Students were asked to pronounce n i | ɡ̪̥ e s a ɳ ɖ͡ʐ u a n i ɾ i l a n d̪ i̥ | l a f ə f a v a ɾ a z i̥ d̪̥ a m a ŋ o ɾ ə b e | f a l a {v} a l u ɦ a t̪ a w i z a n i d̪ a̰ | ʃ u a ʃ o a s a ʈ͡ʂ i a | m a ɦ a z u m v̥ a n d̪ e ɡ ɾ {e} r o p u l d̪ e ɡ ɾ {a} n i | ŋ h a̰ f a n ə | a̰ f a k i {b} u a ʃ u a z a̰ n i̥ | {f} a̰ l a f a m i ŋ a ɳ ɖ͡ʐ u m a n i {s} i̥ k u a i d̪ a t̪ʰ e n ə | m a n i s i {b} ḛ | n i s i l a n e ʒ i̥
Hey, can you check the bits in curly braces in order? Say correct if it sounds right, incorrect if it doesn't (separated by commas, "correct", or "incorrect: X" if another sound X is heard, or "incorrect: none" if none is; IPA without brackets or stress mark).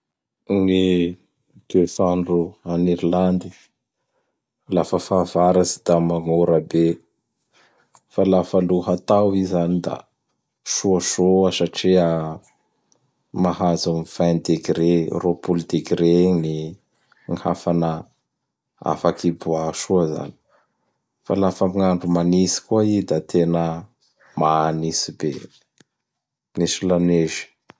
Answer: incorrect: f, correct, incorrect: e, correct, correct, correct, correct